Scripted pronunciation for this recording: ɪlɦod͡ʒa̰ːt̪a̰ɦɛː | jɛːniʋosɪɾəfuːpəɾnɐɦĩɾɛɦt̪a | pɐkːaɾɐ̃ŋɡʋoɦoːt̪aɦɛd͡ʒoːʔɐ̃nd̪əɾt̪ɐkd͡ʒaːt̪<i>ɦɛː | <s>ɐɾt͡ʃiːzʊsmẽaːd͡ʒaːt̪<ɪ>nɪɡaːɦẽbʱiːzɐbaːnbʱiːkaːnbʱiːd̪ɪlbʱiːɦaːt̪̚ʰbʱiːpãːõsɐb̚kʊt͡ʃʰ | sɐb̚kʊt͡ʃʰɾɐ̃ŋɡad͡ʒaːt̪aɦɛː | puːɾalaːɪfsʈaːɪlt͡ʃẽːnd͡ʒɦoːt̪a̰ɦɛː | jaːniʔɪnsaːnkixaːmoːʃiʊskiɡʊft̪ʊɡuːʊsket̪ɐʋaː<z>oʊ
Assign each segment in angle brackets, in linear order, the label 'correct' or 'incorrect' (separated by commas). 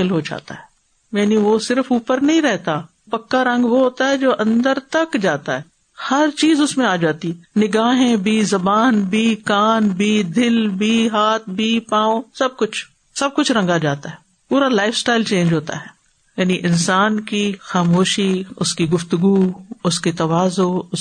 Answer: incorrect, incorrect, incorrect, correct